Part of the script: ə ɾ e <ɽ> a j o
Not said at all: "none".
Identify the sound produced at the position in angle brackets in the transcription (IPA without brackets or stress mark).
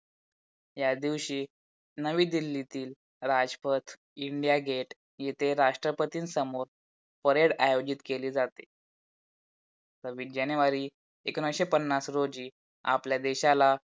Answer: ɽ